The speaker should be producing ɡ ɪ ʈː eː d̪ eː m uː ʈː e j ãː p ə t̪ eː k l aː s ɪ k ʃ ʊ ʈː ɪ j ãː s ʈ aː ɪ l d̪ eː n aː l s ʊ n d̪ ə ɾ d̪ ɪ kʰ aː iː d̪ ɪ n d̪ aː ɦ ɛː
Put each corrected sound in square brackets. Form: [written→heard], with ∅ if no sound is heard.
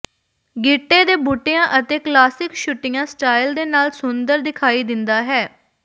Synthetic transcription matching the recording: ɡ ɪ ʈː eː d̪ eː [m→b] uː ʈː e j ãː [p→ʔ] ə t̪ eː k l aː s ɪ k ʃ ʊ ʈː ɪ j ãː s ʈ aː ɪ l d̪ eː n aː l s ʊ n d̪ ə ɾ d̪ ɪ kʰ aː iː d̪ ɪ n d̪ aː ɦ ɛː